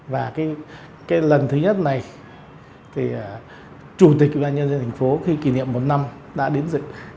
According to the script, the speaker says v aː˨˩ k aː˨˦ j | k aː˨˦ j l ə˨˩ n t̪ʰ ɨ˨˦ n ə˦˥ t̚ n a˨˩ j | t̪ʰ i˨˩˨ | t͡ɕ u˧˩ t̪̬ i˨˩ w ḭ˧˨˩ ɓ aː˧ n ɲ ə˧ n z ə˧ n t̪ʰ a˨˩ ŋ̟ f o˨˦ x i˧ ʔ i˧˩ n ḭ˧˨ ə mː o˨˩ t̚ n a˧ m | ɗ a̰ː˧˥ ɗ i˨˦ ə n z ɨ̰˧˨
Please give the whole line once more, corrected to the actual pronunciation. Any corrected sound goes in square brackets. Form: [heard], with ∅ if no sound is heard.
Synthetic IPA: v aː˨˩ k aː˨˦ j | k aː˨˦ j l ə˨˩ n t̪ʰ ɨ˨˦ [ɲ] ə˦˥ t̚ n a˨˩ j | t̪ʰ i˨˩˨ | t͡ɕ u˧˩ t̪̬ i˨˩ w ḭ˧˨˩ ɓ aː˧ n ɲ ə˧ n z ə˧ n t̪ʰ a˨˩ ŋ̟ f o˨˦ x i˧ [k] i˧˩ n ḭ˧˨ ə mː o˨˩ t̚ n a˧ m | ɗ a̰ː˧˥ ɗ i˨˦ ə n z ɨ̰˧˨